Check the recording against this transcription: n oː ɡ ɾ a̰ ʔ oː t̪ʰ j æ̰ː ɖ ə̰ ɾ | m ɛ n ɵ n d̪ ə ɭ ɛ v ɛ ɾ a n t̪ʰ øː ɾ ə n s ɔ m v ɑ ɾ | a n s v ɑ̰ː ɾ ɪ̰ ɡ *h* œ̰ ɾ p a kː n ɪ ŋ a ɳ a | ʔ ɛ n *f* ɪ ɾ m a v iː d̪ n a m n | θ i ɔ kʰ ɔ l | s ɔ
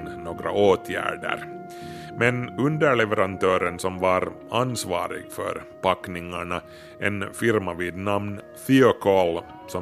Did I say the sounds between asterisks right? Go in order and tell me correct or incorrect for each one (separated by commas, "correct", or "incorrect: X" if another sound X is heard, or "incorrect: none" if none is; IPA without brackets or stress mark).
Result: incorrect: f, correct